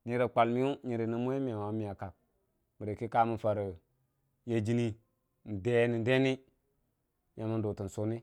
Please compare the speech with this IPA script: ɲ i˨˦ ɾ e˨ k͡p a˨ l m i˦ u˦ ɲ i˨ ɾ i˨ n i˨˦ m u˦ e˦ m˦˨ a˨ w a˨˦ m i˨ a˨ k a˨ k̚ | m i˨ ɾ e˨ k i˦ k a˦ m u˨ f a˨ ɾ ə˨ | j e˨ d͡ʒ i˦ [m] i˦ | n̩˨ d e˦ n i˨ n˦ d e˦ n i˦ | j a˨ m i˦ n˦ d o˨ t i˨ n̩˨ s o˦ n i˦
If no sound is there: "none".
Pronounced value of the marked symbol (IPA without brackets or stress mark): n